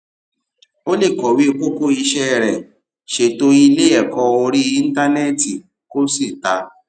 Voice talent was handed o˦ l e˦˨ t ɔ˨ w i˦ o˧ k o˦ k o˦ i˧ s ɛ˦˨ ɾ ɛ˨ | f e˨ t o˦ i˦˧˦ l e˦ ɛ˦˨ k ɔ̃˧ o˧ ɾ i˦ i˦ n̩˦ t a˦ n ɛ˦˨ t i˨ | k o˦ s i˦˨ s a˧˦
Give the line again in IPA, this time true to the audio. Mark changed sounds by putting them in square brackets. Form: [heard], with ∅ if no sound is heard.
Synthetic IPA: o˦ l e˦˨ [k] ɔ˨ w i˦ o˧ k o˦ k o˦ i˧ [ʃ] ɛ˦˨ ɾ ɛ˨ | [ʃ] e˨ t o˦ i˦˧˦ l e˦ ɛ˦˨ k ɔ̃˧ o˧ ɾ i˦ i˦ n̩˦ t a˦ n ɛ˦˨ t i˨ | k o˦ s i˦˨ [t] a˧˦